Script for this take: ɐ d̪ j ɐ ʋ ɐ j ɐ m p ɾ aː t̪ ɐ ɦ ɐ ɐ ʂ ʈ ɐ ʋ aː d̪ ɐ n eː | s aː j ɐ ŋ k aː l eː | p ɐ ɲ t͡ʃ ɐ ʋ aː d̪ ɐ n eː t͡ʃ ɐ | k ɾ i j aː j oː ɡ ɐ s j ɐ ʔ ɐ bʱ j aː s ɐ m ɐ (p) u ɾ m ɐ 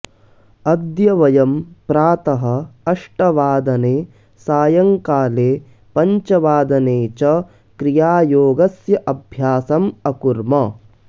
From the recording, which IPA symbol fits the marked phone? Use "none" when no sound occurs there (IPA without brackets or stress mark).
k